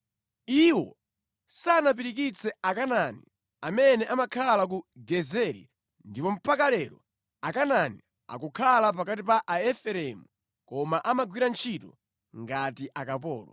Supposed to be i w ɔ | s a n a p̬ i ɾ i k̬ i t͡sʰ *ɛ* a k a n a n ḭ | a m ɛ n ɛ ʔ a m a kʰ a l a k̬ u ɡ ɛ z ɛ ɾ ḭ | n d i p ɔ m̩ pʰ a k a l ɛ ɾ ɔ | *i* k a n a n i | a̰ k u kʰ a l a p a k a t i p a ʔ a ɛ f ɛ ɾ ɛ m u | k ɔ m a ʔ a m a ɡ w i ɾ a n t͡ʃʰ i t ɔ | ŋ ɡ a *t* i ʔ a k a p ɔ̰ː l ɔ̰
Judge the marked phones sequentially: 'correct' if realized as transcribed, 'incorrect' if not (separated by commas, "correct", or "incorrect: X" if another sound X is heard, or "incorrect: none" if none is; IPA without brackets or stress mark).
correct, incorrect: a, correct